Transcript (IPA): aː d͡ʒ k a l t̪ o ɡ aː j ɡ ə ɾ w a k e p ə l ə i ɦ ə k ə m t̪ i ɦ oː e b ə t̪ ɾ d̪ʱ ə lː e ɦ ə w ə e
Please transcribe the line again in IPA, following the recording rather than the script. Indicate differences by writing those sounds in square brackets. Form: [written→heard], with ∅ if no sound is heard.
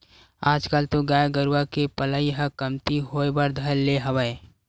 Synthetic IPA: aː d͡ʒ k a l t̪ o ɡ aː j ɡ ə ɾ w a k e p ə l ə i ɦ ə k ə m t̪ i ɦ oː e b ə [t̪→∅] ɾ d̪ʱ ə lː e ɦ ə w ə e